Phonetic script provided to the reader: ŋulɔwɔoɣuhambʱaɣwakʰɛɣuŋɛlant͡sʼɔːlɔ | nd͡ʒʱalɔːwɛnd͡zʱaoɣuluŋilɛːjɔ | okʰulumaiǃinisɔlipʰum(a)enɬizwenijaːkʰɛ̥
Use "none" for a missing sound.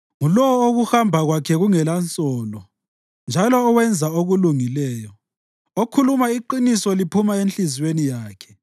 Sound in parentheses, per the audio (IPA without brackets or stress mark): a